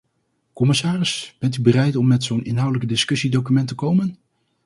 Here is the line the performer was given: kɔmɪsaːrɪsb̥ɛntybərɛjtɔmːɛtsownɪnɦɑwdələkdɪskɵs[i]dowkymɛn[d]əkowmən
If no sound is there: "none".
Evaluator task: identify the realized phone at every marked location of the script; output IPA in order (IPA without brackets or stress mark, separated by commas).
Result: i, t